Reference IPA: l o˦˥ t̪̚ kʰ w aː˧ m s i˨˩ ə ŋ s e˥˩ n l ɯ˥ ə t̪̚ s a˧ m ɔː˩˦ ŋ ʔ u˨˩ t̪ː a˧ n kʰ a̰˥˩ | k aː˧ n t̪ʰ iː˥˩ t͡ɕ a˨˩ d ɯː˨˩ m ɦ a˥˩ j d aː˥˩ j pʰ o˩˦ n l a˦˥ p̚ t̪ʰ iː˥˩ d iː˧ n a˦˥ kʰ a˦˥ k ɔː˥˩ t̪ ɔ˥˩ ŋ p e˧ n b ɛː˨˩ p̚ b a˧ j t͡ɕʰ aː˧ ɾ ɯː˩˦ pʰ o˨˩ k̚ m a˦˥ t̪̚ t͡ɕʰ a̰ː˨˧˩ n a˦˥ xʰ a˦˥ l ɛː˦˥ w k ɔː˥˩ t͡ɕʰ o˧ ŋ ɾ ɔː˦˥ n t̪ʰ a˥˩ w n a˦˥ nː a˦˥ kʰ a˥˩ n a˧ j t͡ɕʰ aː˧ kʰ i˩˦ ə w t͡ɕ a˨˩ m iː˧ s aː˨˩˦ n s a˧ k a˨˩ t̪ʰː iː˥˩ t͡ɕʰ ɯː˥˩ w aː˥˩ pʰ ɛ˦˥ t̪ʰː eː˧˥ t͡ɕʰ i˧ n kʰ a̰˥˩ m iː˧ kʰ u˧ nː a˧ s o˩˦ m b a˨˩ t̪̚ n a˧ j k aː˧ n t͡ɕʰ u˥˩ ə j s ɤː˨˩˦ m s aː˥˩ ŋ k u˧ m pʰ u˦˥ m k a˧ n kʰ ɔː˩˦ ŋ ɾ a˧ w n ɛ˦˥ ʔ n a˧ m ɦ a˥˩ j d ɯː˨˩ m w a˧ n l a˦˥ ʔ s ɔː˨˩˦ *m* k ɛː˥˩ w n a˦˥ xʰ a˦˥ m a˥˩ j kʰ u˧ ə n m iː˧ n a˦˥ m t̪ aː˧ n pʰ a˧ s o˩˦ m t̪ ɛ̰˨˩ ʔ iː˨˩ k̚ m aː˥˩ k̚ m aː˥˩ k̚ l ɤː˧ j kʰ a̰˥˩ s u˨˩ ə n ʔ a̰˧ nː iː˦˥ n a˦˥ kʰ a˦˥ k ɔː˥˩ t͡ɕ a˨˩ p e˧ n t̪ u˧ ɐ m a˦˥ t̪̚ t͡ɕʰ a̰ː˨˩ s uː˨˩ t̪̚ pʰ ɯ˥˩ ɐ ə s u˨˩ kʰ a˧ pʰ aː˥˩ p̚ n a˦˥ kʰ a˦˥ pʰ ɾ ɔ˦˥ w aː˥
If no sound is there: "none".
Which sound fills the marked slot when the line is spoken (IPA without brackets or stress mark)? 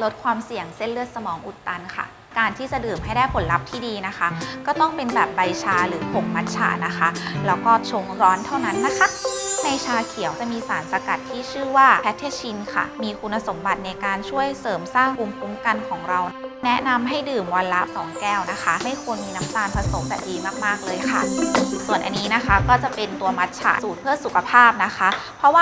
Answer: ŋ